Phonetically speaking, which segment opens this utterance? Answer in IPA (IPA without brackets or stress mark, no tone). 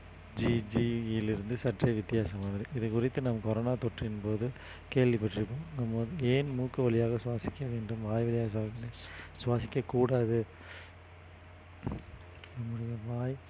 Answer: d͡ʒ